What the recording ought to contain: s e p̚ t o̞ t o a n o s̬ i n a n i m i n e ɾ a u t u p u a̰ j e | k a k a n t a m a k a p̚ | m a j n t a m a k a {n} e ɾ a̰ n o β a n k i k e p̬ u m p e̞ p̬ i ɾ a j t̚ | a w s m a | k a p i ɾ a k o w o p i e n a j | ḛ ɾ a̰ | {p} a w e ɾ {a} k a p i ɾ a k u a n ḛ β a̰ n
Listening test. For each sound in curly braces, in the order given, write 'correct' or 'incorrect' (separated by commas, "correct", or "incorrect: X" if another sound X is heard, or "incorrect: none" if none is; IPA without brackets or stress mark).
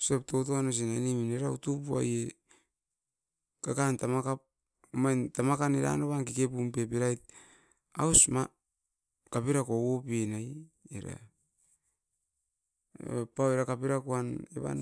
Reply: correct, correct, correct